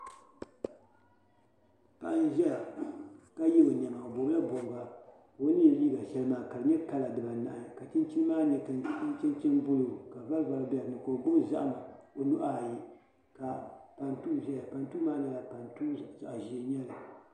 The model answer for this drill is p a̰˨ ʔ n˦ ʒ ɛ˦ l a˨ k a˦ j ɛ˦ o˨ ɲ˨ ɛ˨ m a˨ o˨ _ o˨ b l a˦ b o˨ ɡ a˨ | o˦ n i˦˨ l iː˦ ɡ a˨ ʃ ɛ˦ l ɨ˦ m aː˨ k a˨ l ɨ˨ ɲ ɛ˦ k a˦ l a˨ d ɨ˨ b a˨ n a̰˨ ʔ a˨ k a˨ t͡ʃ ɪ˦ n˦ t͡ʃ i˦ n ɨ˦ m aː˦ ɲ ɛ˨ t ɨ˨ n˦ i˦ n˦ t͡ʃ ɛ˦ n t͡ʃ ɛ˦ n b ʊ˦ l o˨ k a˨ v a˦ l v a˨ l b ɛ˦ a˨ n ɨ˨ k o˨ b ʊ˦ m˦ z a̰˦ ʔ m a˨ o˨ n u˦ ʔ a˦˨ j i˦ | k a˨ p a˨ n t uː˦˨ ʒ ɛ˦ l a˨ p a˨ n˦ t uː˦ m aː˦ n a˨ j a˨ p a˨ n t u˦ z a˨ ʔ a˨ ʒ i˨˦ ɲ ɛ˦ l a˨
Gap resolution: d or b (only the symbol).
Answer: b